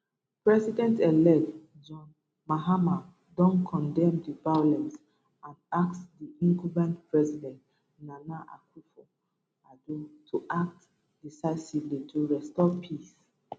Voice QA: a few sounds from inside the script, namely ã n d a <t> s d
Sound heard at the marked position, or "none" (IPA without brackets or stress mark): k